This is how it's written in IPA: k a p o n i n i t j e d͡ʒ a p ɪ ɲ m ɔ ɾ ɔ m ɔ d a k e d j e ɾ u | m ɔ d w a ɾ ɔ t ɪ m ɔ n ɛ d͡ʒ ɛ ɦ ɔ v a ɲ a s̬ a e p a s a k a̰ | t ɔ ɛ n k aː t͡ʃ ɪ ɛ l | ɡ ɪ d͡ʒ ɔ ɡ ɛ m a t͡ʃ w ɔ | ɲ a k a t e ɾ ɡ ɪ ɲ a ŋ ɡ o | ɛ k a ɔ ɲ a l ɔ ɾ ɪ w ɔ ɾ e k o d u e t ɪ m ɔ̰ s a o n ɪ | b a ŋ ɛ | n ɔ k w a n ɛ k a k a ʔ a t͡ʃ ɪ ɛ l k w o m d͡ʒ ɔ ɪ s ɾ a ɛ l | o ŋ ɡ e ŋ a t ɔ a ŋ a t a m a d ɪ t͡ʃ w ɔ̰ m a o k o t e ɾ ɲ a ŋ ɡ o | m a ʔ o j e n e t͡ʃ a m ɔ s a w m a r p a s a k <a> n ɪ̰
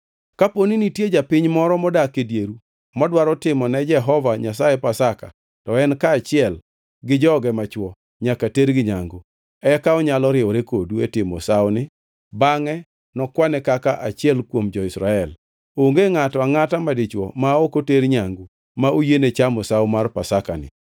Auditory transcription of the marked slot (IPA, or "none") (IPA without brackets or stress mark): a